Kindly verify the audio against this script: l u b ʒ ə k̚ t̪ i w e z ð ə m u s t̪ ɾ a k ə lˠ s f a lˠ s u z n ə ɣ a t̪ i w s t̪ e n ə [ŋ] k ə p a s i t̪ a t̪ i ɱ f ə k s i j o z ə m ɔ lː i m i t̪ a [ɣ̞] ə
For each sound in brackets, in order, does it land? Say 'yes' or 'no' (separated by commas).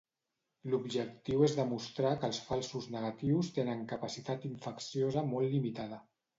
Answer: yes, no